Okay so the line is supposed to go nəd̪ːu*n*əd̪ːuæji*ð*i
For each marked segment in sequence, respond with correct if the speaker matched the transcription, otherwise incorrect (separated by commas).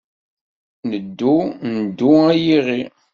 correct, incorrect